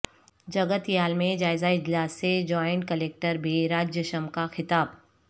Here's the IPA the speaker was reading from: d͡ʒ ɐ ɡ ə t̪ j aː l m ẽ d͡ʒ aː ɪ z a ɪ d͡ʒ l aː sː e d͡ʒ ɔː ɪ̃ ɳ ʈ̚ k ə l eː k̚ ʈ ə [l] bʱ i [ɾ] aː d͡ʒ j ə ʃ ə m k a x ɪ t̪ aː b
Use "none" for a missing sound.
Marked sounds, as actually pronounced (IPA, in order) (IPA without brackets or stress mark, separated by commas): ɾ, ɾ